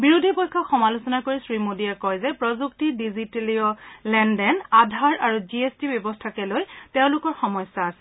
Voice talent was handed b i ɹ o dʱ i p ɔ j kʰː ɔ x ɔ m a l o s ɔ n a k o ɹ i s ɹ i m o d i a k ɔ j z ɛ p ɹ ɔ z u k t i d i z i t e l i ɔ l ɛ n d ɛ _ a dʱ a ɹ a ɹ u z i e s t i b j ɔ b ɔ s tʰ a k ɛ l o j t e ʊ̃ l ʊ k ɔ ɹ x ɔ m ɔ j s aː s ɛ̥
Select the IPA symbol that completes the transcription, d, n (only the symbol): n